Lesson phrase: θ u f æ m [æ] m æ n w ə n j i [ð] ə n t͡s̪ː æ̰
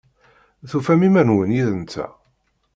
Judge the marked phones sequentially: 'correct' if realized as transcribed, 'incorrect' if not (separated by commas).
incorrect, correct